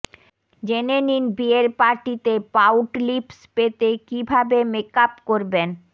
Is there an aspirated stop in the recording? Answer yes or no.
no